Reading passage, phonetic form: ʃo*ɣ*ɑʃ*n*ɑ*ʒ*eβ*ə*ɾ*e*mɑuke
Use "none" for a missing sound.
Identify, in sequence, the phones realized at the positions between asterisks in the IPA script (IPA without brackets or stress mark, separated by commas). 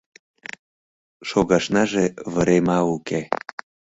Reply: ɣ, n, ʒ, ə, e